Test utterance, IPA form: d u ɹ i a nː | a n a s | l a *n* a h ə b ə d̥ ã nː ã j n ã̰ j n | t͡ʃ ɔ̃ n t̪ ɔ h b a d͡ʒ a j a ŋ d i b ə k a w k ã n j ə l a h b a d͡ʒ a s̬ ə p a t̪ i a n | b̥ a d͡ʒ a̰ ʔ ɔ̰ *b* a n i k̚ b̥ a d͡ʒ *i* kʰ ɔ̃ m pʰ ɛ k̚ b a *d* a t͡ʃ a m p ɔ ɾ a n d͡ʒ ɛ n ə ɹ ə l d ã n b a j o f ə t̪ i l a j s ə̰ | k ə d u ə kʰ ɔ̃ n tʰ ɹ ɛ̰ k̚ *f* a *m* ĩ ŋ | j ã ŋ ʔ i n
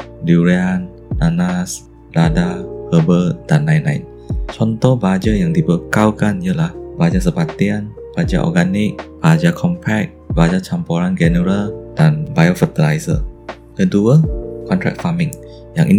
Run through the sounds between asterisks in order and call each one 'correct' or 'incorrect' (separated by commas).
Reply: incorrect, incorrect, incorrect, incorrect, correct, correct